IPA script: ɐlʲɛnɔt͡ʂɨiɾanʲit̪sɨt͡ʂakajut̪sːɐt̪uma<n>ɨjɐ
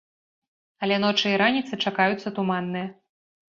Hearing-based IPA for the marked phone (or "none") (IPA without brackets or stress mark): nː